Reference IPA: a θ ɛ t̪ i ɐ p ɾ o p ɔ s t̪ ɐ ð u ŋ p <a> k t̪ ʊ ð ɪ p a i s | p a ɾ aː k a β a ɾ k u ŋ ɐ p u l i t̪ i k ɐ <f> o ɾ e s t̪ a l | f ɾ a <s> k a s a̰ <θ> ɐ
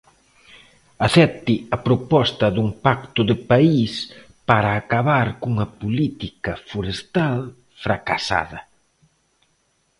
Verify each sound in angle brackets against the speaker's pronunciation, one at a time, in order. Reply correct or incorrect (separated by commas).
correct, correct, incorrect, incorrect